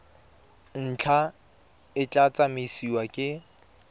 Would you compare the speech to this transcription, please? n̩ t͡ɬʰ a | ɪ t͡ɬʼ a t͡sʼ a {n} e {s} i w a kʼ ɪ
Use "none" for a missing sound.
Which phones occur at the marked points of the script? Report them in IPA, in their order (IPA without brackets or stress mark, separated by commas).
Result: m, s